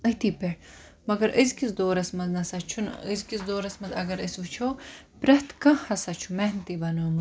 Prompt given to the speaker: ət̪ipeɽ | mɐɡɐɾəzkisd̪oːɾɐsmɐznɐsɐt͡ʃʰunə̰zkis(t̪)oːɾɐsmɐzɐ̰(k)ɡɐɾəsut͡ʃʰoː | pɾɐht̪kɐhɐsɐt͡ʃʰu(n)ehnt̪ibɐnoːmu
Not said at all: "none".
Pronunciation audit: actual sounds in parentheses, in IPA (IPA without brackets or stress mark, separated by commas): d̪, none, m